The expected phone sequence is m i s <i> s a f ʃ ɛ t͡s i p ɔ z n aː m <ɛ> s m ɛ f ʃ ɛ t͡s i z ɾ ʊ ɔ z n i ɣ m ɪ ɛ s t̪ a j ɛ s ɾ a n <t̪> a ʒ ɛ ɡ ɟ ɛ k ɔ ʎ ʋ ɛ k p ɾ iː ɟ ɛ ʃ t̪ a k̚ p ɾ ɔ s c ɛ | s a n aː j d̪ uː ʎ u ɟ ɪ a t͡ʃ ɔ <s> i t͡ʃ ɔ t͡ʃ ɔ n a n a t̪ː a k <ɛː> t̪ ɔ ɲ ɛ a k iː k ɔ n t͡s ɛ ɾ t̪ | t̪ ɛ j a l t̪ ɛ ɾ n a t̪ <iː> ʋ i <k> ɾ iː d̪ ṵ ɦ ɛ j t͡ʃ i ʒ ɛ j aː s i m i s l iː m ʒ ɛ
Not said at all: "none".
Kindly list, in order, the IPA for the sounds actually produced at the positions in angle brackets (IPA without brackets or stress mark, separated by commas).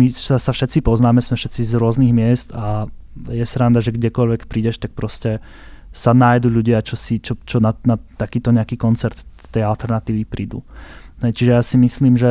a, ɛ, d̪, s, iː, iː, p